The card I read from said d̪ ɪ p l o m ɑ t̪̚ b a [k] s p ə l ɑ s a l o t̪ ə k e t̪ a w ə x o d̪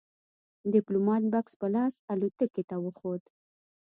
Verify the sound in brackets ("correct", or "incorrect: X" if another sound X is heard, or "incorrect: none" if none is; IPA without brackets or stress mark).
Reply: correct